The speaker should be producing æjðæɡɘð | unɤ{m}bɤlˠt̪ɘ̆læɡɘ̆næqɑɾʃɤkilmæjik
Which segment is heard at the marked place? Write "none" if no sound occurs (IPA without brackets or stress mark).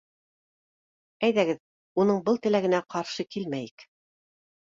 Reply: ɴ